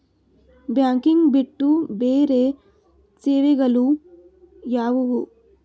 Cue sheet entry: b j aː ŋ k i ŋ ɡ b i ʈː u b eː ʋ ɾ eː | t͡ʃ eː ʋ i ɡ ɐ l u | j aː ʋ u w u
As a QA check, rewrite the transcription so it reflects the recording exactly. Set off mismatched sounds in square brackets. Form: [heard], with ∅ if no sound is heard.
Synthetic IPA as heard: b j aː ŋ k i ŋ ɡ b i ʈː u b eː [∅] ɾ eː | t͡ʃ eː ʋ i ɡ ɐ l u | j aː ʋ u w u